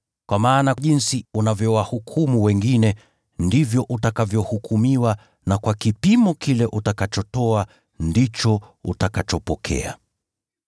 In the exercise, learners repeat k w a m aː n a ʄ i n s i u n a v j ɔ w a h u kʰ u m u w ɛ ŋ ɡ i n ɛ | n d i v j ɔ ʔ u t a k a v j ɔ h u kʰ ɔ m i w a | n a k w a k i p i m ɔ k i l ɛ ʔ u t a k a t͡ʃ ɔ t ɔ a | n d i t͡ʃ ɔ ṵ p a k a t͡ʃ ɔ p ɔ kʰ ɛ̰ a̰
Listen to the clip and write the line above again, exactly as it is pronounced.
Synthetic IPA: k w a m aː n a ʄ i n s i u n a v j ɔ w a h u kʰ u m u w ɛ ŋ ɡ i n ɛ | n d i v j ɔ ʔ u t a k a v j ɔ h u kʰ u m i w a | n a k w a k i p i m ɔ k i l ɛ ʔ u t a k a t͡ʃ ɔ t ɔ a | n d i t͡ʃ ɔ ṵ t a k a t͡ʃ ɔ p ɔ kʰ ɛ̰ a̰